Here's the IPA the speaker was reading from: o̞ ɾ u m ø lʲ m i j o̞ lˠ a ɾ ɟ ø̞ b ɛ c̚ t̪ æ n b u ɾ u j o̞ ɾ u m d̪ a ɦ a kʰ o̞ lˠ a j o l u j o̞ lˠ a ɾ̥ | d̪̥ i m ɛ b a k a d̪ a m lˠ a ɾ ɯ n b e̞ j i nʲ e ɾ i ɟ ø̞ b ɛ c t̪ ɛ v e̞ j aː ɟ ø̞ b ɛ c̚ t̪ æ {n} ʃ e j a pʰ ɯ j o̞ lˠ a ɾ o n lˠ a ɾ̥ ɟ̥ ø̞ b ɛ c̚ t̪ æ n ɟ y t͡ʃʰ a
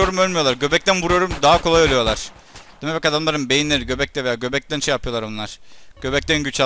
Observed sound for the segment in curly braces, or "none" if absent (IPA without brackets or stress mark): n